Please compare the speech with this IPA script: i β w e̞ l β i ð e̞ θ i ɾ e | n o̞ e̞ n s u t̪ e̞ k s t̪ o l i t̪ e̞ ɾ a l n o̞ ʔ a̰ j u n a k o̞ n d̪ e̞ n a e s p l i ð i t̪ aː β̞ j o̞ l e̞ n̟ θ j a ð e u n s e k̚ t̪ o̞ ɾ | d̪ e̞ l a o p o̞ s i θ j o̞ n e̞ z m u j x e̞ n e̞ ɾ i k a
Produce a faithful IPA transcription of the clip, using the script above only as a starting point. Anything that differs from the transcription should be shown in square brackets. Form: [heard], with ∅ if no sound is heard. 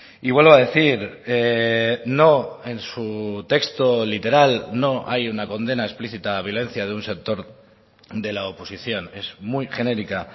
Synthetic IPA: i β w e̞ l β [a] ð e̞ θ i ɾ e | n o̞ e̞ n s u t̪ e̞ k s t̪ o l i t̪ e̞ ɾ a l n o̞ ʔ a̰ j u n a k o̞ n d̪ e̞ n a e s p l i [θ] i t̪ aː β̞ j o̞ l e̞ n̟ θ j a ð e u n s e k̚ t̪ o̞ ɾ | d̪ e̞ l a o p o̞ s i θ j o̞ n e̞ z m u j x e̞ n e̞ ɾ i k a